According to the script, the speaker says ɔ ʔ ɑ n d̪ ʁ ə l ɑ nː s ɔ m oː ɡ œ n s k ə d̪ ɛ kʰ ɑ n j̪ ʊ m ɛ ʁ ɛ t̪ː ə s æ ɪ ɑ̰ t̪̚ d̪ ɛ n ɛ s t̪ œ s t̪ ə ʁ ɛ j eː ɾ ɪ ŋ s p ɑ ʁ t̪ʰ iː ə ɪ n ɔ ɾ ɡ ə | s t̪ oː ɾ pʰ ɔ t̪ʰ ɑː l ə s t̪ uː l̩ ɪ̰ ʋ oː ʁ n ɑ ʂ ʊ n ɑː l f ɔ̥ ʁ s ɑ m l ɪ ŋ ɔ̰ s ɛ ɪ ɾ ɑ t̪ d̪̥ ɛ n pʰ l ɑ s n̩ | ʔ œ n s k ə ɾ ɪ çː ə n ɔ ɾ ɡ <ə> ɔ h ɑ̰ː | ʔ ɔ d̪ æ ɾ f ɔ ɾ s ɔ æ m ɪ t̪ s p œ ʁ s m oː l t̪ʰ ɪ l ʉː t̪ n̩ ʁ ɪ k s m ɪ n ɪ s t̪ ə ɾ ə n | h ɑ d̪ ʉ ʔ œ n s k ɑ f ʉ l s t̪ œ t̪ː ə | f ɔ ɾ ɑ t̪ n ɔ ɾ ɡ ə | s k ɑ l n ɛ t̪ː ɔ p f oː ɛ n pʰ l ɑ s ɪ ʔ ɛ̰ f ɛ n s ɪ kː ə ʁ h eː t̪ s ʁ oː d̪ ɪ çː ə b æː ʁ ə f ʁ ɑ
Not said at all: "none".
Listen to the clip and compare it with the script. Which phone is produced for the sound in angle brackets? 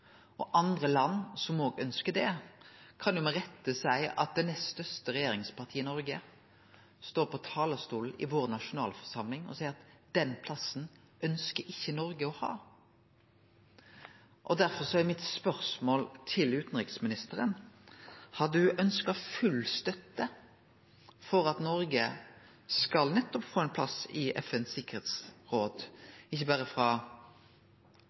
ə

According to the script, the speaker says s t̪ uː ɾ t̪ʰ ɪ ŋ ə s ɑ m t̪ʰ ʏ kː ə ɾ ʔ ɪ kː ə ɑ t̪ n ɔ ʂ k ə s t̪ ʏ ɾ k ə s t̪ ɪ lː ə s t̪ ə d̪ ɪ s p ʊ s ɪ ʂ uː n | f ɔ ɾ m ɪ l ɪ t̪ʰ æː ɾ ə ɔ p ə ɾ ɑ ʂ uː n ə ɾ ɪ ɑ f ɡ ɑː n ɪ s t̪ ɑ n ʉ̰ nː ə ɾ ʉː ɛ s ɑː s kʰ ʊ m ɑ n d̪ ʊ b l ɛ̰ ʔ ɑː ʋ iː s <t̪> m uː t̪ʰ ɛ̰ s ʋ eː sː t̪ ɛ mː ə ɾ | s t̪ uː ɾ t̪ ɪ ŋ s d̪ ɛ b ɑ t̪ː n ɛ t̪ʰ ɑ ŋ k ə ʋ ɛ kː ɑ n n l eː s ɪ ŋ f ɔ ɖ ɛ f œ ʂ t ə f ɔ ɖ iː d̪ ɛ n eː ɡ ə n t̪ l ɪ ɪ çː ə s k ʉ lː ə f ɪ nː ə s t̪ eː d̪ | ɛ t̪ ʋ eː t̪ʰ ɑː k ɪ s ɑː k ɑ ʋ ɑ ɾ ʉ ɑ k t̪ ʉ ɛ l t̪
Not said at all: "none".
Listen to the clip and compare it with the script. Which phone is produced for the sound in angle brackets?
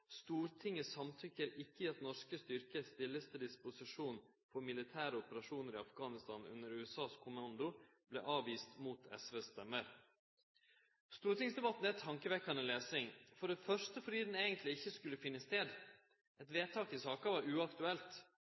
t̪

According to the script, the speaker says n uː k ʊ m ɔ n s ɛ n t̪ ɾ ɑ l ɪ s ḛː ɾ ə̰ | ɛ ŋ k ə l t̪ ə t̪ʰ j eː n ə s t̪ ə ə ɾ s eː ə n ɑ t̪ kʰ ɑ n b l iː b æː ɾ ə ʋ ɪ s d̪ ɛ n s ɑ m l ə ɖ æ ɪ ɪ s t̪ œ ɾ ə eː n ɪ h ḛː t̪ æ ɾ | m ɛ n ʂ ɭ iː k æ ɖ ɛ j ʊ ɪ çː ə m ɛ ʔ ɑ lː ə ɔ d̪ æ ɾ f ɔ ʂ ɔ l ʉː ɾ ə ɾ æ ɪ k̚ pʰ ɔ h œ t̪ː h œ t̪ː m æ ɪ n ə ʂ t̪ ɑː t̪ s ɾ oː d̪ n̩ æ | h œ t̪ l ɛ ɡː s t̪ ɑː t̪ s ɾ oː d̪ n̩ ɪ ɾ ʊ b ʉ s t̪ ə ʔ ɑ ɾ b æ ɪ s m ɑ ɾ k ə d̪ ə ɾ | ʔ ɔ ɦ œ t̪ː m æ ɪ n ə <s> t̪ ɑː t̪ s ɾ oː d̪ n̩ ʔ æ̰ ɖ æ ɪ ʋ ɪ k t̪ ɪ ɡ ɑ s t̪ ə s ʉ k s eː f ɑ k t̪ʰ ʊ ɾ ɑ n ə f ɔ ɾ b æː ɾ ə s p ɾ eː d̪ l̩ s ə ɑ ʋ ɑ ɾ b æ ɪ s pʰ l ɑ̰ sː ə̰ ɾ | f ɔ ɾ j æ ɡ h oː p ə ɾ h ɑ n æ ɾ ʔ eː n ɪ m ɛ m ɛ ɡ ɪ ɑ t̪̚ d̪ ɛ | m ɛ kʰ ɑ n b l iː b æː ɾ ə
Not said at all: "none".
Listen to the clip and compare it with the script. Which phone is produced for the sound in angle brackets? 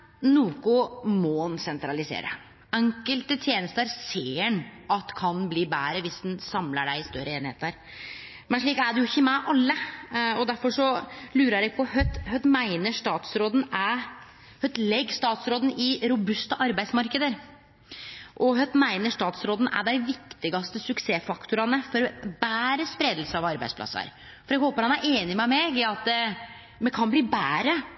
ʂ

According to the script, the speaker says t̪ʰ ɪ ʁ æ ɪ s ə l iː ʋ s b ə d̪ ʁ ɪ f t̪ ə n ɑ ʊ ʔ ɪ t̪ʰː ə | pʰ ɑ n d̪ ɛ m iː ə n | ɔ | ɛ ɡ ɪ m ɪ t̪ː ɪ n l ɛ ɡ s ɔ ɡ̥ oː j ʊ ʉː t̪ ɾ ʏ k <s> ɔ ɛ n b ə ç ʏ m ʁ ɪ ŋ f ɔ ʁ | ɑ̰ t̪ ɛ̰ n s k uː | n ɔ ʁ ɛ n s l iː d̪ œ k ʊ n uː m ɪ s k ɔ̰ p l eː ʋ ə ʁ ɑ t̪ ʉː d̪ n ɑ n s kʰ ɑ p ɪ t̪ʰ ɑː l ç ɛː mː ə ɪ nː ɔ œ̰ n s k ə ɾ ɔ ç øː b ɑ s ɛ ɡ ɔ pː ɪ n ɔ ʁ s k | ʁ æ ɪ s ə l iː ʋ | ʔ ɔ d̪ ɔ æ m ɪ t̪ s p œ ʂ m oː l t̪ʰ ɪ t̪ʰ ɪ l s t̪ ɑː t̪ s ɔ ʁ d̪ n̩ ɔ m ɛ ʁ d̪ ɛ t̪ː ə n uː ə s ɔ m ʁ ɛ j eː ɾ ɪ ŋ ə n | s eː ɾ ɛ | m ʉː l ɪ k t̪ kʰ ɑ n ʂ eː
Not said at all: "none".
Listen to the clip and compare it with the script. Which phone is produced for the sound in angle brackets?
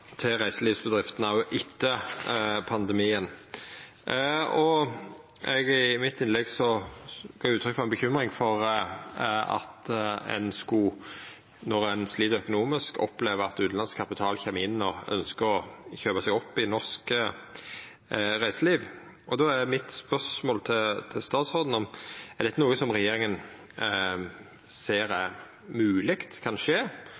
f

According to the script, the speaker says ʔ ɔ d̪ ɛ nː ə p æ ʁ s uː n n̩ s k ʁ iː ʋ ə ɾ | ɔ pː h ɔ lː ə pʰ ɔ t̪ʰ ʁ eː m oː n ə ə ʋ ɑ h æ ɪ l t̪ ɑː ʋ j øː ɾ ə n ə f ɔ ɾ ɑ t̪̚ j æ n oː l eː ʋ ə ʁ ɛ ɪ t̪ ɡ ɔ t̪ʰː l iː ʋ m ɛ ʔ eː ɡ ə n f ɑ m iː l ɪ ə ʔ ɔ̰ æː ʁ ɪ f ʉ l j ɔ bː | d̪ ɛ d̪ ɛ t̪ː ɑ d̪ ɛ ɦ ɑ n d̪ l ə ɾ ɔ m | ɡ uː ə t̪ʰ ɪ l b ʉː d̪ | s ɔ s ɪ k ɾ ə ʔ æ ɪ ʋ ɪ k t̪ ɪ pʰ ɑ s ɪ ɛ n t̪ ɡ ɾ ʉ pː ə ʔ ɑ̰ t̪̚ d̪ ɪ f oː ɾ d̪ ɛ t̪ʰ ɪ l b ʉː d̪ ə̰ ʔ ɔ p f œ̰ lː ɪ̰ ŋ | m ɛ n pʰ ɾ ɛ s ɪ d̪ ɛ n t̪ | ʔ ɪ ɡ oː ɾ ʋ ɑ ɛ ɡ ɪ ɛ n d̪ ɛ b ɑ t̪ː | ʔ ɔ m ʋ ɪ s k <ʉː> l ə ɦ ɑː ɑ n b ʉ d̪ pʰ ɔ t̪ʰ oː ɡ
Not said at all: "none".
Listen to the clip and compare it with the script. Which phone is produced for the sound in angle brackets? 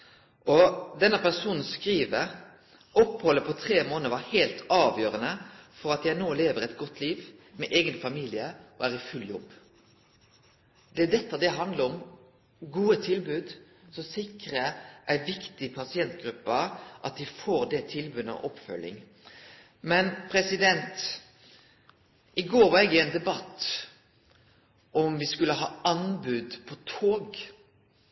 ʉ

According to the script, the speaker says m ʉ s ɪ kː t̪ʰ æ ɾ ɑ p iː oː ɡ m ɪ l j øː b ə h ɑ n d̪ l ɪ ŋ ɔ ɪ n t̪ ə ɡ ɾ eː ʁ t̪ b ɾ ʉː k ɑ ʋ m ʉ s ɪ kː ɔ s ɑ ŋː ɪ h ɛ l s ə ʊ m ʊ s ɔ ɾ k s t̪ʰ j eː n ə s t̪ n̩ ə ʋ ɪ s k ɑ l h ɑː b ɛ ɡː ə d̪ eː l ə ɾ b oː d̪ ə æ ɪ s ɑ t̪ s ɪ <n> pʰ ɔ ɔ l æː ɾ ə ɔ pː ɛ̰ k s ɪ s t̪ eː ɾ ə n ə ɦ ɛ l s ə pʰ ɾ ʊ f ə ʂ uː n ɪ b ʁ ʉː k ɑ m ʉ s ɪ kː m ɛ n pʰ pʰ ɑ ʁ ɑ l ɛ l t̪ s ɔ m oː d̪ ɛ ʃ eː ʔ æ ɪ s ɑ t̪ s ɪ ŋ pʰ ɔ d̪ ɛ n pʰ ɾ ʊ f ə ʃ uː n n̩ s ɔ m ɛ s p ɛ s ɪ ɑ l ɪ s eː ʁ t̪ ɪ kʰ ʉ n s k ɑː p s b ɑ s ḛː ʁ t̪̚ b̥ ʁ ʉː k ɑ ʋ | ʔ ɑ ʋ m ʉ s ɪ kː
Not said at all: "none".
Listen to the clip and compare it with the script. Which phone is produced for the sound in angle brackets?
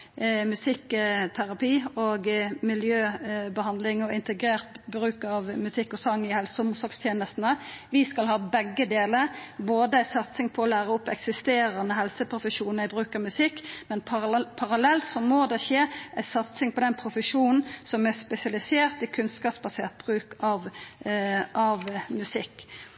ŋ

